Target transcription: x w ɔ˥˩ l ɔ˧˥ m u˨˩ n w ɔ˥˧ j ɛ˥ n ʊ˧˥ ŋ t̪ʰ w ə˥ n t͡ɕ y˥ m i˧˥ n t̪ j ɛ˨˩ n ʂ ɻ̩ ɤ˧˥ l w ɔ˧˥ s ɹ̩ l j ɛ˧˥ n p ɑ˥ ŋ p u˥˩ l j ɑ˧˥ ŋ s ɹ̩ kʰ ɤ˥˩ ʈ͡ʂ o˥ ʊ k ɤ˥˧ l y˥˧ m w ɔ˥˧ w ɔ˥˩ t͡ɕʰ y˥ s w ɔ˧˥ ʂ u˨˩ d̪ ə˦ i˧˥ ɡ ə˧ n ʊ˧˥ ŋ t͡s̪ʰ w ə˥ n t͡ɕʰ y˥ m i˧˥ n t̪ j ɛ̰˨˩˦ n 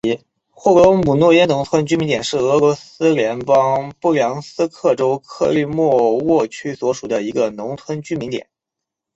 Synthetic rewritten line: x w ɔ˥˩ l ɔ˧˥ m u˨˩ n w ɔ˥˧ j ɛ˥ n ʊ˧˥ ŋ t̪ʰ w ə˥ n t͡ɕ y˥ m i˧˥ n t̪ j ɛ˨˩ n ʂ ɻ̩ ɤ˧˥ l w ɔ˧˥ s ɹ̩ l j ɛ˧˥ n p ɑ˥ ŋ p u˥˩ l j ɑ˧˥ ŋ s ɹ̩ kʰ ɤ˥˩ ʈ͡ʂ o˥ ʊ kʰ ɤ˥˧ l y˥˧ m w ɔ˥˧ w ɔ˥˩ t͡ɕʰ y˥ s w ɔ˧˥ ʂ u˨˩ d̪ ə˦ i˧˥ ɡ ə˧ n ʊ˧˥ ŋ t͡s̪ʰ w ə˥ n t͡ɕ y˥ m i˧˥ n t̪ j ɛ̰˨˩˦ n